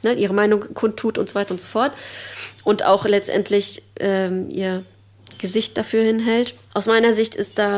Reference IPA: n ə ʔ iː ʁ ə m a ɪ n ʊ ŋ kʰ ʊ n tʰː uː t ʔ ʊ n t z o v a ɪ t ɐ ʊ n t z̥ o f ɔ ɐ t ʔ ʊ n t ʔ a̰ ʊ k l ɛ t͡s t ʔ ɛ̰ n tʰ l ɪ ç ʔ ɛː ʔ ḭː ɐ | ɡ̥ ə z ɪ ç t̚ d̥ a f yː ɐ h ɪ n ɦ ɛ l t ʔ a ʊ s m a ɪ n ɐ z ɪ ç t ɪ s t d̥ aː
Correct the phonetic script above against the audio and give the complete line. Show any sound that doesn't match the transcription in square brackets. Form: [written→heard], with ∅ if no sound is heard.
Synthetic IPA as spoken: n ə ʔ iː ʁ ə m a ɪ n ʊ ŋ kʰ ʊ n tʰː uː t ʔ ʊ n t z o v a ɪ t ɐ ʊ n t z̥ o f ɔ ɐ t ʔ ʊ n t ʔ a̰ ʊ [k→x] l ɛ t͡s t ʔ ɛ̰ n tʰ l ɪ ç ʔ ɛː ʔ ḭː ɐ | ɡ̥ ə z ɪ ç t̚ d̥ a f yː ɐ h ɪ n ɦ ɛ l t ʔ a ʊ s m a ɪ n ɐ z ɪ ç t ɪ s t d̥ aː